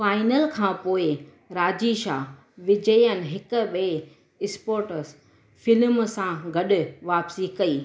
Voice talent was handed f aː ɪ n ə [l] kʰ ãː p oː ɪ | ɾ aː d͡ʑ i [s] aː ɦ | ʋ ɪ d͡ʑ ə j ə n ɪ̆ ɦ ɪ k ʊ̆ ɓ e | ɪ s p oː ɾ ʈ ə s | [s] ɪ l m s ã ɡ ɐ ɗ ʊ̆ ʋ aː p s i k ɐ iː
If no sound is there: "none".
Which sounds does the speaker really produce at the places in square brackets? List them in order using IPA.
l, ʃ, f

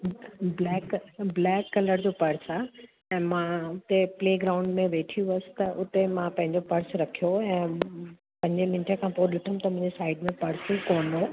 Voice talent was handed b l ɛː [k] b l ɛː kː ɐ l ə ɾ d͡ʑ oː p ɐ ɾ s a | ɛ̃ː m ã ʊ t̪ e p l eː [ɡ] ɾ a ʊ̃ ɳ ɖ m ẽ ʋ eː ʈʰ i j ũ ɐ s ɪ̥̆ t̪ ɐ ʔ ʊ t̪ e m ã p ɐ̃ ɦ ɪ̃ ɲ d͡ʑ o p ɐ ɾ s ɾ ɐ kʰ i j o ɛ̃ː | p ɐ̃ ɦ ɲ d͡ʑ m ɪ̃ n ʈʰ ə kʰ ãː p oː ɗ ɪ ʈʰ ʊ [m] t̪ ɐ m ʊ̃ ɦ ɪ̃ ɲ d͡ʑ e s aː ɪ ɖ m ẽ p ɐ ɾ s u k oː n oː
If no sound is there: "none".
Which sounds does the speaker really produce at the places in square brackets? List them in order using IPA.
k, ɡ, m

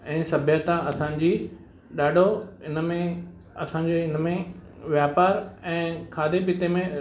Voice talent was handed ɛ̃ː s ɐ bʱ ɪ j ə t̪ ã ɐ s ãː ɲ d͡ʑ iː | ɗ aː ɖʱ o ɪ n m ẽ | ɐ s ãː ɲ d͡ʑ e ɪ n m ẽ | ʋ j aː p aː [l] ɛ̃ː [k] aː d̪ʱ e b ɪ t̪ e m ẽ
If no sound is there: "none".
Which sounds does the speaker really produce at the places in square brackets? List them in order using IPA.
ɾ, kʰ

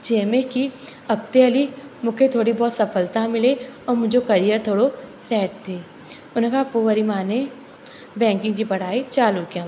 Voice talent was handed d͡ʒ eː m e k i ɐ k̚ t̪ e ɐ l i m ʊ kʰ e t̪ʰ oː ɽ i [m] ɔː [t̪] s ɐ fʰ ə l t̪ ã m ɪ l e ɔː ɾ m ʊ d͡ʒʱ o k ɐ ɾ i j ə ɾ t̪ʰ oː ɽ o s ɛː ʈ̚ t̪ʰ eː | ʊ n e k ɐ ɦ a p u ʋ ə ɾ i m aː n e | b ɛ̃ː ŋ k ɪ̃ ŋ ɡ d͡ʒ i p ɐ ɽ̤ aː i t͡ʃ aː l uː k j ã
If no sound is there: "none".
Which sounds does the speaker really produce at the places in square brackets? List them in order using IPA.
b, t̪

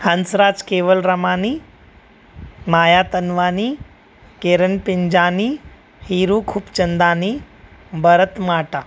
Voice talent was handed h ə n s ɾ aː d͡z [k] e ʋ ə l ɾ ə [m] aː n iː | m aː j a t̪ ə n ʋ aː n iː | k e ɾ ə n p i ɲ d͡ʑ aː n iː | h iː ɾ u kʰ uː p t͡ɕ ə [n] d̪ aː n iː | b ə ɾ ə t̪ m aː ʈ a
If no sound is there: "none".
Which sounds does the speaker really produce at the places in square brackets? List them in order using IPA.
k, m, n

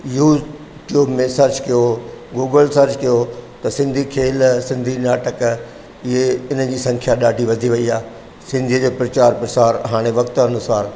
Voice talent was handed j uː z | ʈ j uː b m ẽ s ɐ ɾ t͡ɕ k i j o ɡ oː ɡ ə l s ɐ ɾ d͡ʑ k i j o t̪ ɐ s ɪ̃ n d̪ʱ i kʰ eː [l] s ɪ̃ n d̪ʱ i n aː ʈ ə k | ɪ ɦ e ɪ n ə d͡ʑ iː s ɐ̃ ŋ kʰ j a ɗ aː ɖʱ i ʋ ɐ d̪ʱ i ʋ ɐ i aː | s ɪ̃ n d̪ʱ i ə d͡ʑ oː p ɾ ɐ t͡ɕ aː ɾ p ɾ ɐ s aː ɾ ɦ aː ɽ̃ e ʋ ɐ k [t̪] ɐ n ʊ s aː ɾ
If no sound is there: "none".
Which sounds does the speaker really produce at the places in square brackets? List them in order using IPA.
l, t̪

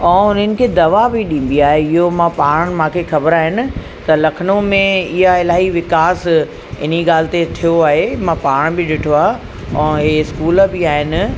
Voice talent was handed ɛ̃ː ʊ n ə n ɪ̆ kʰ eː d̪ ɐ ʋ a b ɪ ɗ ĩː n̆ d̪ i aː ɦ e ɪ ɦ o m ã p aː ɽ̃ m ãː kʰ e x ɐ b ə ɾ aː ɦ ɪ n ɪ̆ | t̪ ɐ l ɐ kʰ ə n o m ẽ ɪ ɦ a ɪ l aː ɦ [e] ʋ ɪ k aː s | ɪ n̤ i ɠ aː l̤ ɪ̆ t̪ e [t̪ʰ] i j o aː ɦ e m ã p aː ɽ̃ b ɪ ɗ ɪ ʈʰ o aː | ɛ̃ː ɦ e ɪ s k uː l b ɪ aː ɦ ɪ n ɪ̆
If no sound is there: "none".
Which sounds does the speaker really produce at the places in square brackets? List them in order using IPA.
i, t̪ʰ

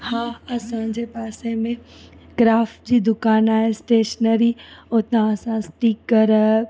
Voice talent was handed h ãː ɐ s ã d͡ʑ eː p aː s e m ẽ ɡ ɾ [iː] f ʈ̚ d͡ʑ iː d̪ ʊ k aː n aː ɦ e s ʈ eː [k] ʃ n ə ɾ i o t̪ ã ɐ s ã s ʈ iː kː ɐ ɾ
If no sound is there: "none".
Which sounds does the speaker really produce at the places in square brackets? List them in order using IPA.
aː, none

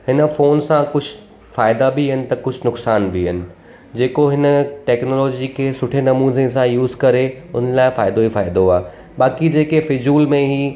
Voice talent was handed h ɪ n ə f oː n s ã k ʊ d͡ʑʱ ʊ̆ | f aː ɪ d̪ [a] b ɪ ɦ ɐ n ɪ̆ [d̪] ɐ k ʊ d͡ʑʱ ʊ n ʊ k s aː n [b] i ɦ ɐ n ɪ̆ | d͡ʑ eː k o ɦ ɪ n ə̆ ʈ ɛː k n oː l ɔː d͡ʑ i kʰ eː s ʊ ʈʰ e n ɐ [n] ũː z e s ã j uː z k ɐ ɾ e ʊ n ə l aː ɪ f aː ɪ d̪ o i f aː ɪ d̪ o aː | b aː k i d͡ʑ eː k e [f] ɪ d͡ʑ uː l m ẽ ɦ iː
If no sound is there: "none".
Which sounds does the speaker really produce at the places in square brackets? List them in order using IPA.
a, t̪, b, m, f

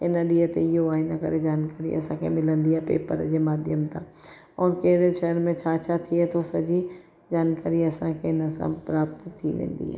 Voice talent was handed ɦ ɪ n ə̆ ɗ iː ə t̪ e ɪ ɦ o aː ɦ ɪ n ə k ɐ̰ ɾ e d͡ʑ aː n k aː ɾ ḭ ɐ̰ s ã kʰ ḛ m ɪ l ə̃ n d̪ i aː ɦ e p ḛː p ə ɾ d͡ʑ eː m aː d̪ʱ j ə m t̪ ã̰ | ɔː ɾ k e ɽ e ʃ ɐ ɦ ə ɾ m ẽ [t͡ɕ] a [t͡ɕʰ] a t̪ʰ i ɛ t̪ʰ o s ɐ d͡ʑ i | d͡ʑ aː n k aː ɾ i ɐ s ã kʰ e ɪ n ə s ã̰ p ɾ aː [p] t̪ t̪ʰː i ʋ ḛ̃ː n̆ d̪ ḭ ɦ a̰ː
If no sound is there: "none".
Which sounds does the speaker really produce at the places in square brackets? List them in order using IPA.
t͡ɕʰ, t͡ɕʰ, p

